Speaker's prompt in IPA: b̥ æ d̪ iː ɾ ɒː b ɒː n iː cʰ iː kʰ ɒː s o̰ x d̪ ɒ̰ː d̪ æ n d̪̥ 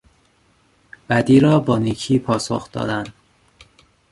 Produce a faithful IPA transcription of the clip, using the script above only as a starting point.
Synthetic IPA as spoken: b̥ æ d̪ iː ɾ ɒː b ɒː n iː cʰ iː pʰ ɒː s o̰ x d̪ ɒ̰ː d̪ æ n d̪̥